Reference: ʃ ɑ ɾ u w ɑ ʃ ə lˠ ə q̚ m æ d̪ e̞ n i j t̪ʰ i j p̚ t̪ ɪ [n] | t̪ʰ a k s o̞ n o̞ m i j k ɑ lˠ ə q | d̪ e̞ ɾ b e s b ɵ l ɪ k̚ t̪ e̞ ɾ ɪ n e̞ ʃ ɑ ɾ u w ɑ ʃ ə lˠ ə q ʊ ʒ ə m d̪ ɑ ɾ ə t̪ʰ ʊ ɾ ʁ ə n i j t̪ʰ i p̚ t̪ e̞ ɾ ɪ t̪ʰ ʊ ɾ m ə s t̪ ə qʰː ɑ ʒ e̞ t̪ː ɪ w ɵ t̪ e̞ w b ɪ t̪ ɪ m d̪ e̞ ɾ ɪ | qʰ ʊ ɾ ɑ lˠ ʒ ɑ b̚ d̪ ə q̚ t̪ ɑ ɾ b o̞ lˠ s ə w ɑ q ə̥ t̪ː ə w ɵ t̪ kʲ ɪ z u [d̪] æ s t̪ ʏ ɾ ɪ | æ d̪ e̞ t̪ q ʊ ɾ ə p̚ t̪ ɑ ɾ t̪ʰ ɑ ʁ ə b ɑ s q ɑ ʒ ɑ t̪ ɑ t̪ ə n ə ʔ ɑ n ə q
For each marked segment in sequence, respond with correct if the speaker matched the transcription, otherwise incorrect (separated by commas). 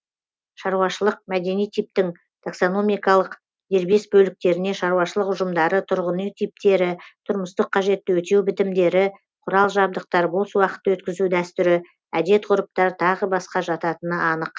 incorrect, correct